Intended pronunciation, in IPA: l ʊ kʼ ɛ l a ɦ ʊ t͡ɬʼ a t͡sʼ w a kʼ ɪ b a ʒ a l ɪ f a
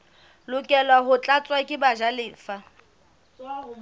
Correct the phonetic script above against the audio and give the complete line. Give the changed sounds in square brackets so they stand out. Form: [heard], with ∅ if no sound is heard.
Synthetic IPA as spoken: l ʊ kʼ ɛ l a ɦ ʊ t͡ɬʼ a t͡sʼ w a kʼ ɪ b a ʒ a l [ɪː] f a